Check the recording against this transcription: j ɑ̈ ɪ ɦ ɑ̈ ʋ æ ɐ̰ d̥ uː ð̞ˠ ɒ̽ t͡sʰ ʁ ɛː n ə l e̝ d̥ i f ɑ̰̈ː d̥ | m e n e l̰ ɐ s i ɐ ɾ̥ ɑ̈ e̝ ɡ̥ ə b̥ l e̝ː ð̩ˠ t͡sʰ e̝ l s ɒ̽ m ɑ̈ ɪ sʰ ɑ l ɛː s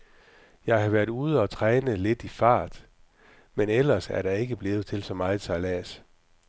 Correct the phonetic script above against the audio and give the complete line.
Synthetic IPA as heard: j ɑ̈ ɪ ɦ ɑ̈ ʋ æ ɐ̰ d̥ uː ð̞ˠ ɒ̽ t͡sʰ ʁ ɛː n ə l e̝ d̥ i f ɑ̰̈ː d̥ | m e n e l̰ ɐ s æ ɐ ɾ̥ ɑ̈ e̝ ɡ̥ ə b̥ l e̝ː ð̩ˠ t͡sʰ e̝ l s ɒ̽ m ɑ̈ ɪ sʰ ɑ l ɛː s